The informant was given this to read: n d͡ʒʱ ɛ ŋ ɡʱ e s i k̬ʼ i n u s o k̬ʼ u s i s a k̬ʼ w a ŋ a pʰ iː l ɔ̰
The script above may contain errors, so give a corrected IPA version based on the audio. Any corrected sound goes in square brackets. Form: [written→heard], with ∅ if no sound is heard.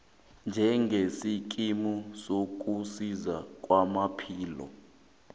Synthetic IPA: n d͡ʒʱ ɛ ŋ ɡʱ e s i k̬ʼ i [n→m] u s o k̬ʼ u s i [s→z] a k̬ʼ w a [ŋ→m] a pʰ iː l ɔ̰